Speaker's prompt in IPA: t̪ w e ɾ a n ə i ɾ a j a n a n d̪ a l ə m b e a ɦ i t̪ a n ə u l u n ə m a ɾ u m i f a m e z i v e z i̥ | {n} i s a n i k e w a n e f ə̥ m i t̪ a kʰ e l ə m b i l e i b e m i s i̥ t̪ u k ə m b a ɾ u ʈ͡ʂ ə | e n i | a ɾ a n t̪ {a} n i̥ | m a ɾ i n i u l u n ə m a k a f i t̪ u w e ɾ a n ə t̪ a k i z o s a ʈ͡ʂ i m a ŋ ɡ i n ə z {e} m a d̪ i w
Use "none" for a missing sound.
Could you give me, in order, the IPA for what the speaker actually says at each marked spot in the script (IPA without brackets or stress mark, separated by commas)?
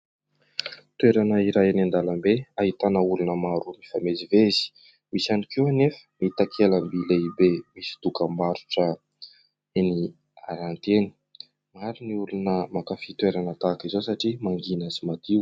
m, e, i